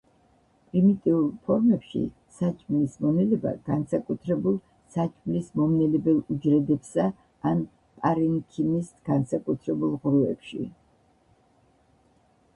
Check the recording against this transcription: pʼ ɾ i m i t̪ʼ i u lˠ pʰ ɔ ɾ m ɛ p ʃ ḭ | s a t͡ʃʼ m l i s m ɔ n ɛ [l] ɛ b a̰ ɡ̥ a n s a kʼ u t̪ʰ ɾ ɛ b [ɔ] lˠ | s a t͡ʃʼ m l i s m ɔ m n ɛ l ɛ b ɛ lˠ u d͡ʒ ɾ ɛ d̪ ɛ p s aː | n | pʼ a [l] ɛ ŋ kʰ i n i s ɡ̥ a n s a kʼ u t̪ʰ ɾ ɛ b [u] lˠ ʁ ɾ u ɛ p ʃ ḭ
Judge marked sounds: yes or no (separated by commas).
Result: yes, no, no, yes